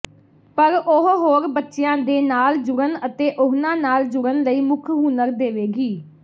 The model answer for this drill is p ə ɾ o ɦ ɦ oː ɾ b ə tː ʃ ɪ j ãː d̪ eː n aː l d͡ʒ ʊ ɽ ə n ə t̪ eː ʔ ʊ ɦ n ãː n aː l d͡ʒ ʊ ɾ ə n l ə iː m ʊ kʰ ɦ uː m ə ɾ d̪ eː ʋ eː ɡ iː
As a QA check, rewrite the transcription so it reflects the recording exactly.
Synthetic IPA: p ə ɾ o ɦ ɦ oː ɾ b ə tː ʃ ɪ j ãː d̪ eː n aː l d͡ʒ ʊ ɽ ə n ə t̪ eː ʔ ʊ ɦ n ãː n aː l d͡ʒ ʊ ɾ ə n l ə iː m ʊ kʰ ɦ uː n ə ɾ d̪ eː ʋ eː ɡ iː